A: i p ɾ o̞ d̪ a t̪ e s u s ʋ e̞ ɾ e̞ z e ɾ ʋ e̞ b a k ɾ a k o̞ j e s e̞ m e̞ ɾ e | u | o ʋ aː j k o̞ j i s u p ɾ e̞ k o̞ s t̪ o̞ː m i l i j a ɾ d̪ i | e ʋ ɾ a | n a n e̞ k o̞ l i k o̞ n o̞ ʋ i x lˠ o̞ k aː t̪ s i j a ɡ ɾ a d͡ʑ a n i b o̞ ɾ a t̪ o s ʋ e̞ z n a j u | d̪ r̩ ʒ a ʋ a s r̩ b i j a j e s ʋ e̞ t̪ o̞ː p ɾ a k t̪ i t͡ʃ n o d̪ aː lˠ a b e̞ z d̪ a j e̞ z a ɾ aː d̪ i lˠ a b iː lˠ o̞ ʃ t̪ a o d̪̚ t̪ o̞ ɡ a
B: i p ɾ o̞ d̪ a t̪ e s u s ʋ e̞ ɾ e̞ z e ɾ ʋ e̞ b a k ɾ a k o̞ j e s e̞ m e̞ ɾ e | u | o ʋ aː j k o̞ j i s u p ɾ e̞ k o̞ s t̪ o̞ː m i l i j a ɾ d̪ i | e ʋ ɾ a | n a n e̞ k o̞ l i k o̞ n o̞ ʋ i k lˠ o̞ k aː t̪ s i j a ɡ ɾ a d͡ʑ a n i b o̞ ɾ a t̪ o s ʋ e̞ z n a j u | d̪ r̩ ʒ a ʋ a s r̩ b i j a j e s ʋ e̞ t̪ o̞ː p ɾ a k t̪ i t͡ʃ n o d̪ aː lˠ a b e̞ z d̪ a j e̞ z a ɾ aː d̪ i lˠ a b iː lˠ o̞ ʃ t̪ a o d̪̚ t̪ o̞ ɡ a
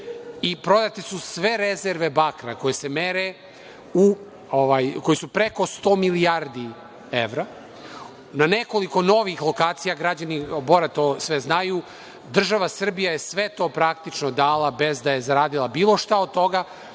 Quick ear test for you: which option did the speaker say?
A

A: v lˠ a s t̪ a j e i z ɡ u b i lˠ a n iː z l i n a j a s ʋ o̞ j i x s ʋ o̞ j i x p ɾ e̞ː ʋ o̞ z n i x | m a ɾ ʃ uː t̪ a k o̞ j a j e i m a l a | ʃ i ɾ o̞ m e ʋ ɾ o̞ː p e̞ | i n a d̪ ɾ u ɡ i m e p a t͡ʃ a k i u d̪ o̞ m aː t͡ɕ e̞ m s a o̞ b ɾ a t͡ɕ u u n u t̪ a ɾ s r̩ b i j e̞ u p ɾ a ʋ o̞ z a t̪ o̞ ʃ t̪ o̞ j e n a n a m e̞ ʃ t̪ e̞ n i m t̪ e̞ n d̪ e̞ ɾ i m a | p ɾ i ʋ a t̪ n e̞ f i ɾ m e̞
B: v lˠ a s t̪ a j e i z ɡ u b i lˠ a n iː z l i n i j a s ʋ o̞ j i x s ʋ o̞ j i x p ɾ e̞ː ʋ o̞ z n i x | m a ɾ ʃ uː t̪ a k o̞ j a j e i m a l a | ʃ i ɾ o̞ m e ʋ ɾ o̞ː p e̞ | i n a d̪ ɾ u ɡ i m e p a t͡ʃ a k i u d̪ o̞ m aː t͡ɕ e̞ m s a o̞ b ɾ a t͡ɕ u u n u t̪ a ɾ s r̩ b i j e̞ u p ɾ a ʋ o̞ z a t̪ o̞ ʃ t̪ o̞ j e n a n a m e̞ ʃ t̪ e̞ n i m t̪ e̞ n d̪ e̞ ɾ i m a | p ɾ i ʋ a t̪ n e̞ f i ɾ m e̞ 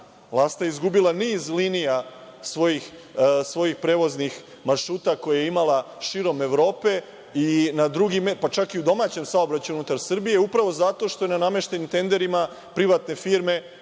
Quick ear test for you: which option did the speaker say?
B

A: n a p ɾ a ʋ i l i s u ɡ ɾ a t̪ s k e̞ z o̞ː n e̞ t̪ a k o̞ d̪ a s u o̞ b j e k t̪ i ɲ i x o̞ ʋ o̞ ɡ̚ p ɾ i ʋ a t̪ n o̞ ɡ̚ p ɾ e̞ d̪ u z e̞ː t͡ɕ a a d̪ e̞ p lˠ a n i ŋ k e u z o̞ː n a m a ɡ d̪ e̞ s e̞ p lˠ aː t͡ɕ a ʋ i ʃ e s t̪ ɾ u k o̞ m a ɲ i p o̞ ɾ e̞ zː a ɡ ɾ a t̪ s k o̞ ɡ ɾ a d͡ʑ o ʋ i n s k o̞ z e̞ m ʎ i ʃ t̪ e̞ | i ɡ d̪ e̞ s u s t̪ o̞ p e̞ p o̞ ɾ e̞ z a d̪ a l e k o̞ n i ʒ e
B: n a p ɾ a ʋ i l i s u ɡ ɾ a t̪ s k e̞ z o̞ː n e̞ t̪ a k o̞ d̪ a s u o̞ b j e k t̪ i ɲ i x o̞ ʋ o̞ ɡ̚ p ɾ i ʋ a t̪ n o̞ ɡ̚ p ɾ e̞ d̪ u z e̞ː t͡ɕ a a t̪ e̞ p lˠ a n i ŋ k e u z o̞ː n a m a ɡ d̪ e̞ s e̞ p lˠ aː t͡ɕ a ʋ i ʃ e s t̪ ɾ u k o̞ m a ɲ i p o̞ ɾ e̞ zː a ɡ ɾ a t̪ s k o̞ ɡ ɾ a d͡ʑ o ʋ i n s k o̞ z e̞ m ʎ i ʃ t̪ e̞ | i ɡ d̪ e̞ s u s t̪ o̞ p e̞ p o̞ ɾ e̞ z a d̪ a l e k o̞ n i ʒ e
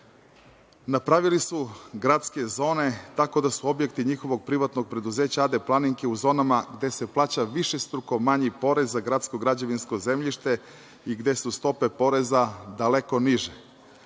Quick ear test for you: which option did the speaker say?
A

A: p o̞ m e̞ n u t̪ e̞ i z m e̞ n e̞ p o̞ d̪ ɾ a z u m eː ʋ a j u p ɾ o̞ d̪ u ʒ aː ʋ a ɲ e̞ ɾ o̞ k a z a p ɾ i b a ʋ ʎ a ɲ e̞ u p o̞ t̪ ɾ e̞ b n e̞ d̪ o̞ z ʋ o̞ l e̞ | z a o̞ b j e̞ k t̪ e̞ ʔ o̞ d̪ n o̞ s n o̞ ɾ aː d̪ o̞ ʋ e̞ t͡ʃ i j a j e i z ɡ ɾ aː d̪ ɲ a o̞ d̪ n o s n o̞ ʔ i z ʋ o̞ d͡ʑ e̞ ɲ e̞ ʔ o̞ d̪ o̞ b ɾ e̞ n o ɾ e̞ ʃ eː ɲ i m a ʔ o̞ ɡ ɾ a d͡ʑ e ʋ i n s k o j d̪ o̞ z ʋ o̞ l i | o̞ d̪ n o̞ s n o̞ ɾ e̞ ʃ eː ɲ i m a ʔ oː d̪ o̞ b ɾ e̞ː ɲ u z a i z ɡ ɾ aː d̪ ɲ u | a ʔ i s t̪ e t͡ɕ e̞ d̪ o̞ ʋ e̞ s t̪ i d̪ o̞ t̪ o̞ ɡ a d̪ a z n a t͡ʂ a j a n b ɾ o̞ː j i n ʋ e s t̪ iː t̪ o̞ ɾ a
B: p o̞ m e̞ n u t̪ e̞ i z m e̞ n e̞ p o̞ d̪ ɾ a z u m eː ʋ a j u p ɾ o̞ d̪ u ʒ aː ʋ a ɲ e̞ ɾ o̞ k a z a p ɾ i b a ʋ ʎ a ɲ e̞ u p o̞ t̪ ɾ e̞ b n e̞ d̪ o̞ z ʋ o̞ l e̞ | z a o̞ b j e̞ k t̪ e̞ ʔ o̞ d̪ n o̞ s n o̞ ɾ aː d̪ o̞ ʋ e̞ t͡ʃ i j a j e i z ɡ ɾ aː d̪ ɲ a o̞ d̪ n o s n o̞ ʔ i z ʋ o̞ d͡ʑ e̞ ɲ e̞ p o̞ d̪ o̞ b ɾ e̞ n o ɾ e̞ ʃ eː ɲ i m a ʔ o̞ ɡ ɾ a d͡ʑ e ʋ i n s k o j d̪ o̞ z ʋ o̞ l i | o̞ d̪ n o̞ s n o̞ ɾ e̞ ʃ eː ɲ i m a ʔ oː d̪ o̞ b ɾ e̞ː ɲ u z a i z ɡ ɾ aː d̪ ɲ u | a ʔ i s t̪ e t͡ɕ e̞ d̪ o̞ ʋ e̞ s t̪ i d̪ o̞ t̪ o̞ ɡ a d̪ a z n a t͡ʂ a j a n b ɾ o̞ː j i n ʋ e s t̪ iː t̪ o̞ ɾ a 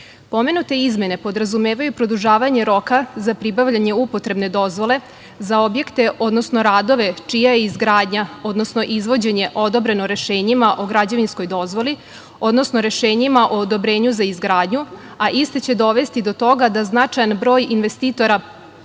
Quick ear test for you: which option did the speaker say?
A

